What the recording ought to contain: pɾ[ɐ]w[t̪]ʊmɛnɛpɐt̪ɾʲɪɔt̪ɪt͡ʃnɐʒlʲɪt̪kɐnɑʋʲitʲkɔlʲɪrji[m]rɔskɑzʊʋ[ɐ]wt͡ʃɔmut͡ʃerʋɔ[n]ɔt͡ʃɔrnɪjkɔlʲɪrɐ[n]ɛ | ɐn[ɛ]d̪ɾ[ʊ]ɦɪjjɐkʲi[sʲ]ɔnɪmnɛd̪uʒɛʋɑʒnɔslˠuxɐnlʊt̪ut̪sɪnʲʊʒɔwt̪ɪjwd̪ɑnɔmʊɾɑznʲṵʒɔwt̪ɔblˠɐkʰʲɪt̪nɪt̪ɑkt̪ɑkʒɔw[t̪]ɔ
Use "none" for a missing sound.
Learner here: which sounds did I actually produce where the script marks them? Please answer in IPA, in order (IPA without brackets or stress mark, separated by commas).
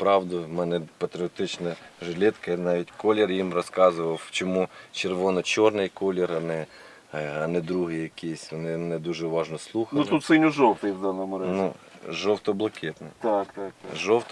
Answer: ɑ, d̪, m, ɐ, n, n, ɛ, u, sʲ, t̪